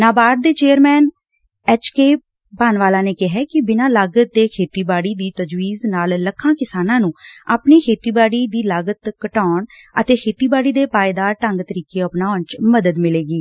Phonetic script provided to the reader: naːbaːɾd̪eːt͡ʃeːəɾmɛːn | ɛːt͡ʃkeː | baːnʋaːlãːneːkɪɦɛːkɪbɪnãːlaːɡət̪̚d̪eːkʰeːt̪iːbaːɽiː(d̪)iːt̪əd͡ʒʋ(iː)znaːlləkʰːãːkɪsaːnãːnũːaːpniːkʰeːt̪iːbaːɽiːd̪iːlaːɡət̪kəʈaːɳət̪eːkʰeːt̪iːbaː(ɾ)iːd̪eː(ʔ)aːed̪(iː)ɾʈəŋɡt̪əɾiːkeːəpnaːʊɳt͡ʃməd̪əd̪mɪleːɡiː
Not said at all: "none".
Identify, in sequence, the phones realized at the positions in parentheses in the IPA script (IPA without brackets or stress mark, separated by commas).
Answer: d̪, iː, ɽ, p, aː